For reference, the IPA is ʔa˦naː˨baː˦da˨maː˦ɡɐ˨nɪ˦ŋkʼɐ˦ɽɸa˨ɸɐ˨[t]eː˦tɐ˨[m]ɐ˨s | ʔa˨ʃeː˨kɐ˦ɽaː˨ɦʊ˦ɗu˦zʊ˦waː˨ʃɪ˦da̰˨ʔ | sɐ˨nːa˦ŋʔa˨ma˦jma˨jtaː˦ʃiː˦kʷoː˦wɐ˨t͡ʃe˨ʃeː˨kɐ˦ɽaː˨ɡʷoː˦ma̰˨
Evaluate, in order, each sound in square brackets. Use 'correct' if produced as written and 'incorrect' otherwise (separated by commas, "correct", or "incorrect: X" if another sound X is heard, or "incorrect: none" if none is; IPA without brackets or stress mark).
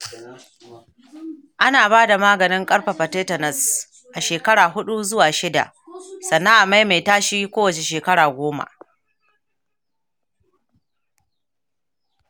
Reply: correct, incorrect: n